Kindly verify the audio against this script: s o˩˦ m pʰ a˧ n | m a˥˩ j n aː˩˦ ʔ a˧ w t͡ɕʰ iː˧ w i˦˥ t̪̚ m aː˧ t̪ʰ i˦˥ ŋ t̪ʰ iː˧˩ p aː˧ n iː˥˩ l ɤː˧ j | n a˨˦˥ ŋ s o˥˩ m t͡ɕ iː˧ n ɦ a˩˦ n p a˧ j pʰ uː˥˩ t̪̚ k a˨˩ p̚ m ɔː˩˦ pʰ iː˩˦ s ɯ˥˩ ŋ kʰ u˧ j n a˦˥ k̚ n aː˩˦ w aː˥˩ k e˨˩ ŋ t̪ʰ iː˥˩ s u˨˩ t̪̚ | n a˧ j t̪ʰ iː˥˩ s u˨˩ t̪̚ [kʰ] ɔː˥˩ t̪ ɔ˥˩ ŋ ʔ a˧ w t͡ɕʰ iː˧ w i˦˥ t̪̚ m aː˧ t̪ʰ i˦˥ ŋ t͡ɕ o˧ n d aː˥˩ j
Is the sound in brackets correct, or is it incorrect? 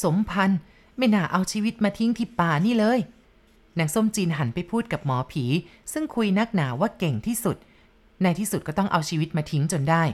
incorrect